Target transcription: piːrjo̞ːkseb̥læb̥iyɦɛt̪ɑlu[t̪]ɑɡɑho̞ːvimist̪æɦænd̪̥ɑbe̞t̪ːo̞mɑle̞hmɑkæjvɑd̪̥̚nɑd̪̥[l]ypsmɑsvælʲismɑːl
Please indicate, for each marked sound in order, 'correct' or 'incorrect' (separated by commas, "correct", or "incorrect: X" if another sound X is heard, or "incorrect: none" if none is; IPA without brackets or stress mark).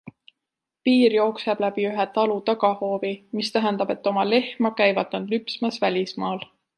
correct, correct